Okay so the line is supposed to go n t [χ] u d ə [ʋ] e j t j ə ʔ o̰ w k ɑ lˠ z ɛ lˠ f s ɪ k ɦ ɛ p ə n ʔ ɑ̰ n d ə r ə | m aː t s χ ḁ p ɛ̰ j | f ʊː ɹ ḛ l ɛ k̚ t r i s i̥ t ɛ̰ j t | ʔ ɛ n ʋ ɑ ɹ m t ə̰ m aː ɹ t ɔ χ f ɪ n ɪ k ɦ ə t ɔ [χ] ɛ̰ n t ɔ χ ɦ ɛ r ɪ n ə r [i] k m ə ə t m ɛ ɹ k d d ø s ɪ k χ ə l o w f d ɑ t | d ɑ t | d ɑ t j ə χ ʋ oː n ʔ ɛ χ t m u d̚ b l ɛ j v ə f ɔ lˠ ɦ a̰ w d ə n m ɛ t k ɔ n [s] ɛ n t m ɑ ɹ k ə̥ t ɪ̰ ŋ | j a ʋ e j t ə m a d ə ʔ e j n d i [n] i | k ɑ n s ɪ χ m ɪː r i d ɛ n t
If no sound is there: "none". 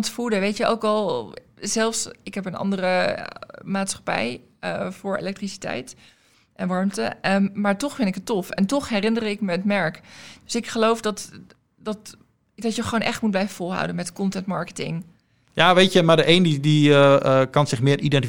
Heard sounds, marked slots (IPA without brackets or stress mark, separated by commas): f, ʋ, f, ɪ, t, d